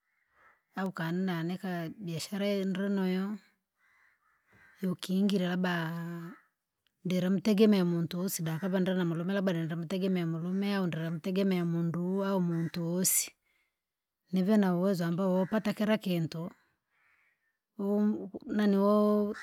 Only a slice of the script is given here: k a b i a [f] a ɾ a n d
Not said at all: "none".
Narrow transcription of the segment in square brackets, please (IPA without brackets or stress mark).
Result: ʃ